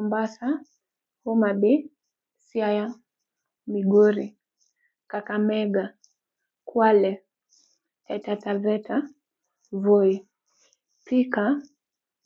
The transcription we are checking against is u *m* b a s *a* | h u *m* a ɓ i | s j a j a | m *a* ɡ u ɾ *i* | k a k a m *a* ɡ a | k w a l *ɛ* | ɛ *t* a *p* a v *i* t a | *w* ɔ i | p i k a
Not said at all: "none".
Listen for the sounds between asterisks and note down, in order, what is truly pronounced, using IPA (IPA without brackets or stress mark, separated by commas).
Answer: m, a, m, i, i, ɛ, ɛ, t, t, ɛ, v